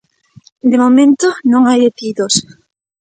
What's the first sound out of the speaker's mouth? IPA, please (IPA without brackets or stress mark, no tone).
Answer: d̪